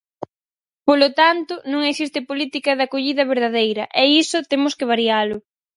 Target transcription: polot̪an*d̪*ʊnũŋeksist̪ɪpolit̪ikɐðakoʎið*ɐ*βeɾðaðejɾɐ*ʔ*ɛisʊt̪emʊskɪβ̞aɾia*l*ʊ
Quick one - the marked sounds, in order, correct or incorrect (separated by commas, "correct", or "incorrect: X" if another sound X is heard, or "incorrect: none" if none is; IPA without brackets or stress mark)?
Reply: incorrect: t̪, correct, correct, correct